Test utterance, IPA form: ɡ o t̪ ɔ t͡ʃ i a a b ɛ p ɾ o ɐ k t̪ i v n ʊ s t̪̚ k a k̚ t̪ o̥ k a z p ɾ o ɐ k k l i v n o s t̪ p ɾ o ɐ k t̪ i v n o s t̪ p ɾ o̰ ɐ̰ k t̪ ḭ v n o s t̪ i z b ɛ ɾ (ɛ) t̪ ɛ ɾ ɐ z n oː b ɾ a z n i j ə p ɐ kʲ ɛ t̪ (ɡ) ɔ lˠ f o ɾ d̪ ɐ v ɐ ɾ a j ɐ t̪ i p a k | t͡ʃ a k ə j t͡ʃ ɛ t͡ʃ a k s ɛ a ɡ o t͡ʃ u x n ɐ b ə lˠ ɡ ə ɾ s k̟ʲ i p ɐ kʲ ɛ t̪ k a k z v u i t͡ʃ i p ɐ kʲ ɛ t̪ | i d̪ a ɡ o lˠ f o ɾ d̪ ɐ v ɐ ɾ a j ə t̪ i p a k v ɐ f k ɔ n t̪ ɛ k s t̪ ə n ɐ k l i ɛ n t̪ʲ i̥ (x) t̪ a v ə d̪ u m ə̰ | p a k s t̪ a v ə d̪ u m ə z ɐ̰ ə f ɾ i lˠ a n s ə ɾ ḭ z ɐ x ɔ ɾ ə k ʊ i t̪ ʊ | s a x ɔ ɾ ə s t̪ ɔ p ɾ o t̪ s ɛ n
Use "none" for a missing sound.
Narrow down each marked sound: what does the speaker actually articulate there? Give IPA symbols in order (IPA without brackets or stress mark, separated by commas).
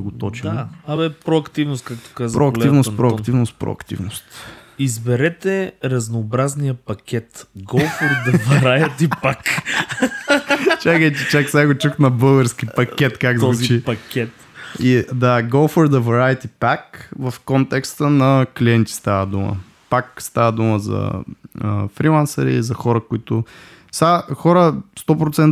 ɛ, ɡ, s